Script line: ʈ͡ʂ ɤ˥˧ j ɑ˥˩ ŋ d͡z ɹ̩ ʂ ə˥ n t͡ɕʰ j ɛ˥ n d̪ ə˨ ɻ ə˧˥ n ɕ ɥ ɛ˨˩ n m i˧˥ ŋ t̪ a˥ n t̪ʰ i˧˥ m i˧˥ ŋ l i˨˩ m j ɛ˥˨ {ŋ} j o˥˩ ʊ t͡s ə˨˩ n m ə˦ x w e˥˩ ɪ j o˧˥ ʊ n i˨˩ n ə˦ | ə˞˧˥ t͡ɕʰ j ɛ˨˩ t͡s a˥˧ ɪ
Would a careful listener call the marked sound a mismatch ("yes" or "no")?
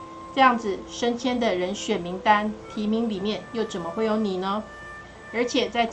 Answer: yes